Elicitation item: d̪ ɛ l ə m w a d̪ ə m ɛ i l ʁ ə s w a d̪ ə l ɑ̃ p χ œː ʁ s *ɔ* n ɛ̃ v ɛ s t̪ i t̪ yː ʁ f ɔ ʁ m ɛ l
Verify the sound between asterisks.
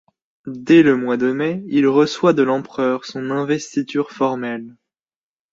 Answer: incorrect: ɔ̃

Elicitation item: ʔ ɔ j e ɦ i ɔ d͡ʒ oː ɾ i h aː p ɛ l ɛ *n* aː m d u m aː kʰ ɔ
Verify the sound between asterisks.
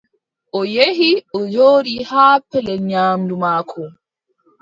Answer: incorrect: ɲ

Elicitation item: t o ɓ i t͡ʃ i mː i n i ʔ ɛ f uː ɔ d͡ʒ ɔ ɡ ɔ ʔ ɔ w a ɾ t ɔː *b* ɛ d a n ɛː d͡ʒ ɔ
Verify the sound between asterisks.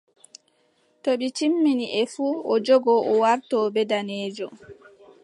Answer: correct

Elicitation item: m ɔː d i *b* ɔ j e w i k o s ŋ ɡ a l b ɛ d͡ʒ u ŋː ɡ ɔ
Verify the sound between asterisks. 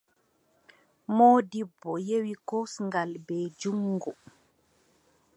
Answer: incorrect: bː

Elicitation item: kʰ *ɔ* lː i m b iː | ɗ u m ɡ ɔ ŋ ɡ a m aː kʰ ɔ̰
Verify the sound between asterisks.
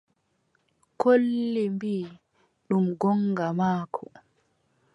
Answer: incorrect: o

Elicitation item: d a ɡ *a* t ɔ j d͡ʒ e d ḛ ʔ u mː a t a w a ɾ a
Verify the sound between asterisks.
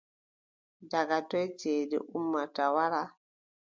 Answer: correct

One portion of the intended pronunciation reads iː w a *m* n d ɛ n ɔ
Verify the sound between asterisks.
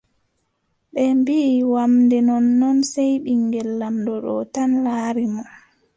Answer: correct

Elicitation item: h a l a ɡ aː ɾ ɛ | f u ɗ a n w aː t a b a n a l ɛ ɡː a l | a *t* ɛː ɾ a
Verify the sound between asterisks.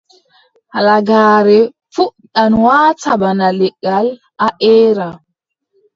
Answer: incorrect: ʔ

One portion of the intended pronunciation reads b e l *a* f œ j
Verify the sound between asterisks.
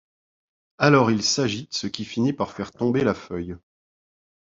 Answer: correct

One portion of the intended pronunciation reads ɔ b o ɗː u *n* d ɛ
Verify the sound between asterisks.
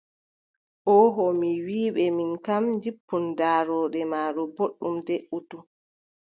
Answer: incorrect: m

